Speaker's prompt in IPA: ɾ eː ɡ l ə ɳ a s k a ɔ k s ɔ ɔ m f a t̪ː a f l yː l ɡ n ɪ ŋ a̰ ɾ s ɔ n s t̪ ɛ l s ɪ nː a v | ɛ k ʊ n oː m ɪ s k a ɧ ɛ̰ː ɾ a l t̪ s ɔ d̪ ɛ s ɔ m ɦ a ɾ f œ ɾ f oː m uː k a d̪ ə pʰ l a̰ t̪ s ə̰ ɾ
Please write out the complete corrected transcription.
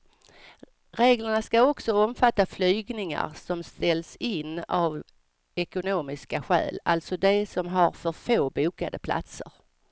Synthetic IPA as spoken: ɾ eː ɡ l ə ɳ a s k a ɔ k s ɔ ɔ m f a t̪ː a f l yː ɡ n ɪ ŋ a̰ ɾ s ɔ m s t̪ ɛ l s ɪ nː a v | ɛ k ʊ n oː m ɪ s k a ɧ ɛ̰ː l a l t̪ s ɔ d̪ ɛ s ɔ m ɦ a ɾ f œ ɾ f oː b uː k a d̪ ə pʰ l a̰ t̪ s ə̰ ɾ